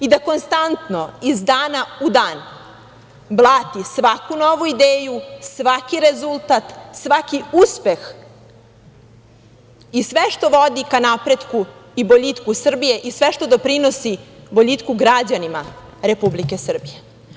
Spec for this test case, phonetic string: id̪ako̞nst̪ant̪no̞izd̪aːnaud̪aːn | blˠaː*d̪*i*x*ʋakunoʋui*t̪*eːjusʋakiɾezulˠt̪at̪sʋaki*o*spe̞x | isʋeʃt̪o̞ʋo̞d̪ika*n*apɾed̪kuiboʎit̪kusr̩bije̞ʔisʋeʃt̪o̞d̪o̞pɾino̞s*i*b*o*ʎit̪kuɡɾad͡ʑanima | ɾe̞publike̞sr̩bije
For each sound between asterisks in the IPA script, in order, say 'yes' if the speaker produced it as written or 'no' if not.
no, no, no, no, yes, yes, yes

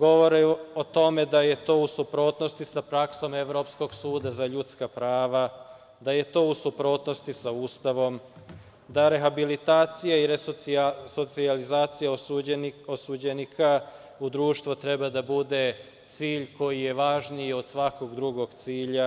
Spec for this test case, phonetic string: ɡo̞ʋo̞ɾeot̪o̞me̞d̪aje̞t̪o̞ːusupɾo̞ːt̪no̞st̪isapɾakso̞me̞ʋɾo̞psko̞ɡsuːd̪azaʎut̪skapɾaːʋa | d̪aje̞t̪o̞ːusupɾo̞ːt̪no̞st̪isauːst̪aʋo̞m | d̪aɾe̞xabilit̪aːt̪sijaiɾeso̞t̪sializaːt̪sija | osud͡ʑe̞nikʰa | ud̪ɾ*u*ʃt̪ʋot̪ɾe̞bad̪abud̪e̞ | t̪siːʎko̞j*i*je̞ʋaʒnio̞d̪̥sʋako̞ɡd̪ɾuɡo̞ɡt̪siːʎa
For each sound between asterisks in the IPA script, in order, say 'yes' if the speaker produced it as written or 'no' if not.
no, yes

